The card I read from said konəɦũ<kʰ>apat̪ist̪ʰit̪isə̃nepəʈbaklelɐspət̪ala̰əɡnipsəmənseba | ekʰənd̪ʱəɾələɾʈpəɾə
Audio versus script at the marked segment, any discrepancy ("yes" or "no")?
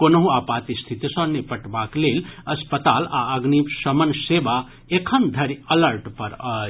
yes